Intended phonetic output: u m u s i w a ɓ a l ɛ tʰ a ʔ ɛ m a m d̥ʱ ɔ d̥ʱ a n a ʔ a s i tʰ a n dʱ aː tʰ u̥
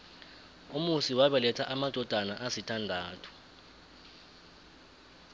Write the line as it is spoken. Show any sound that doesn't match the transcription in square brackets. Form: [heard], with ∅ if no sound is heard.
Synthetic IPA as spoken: u m u s i w a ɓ [ɛ] l ɛ tʰ a ʔ [a] m a [∅] d̥ʱ ɔ d̥ʱ a n a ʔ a s i tʰ a n dʱ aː tʰ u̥